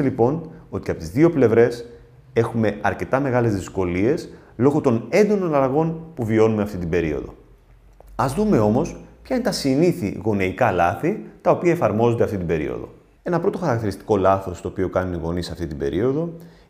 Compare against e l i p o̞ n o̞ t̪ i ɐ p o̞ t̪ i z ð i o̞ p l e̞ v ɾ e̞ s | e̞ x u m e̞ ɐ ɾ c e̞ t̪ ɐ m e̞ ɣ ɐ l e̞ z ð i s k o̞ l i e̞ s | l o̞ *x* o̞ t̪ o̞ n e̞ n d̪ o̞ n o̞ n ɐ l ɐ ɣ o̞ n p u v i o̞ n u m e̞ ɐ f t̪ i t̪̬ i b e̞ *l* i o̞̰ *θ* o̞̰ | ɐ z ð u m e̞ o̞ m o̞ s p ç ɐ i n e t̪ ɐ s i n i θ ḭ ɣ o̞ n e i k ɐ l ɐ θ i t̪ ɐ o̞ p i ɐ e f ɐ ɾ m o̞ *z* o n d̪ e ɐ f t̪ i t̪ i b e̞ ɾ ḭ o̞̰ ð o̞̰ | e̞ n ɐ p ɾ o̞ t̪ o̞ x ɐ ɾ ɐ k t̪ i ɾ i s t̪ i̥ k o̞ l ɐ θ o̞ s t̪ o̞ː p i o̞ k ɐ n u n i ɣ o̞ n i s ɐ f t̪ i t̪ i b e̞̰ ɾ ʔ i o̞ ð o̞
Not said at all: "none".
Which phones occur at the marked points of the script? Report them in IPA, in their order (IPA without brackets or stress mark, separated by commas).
ɣ, ɾ, ð, z